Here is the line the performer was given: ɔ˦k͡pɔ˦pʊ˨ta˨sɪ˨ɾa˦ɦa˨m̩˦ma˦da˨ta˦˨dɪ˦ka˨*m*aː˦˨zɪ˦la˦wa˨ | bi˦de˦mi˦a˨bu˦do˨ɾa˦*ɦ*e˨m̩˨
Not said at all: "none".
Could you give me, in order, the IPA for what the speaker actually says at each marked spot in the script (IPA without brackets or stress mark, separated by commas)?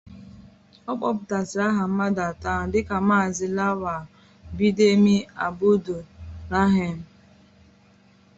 m, ɦ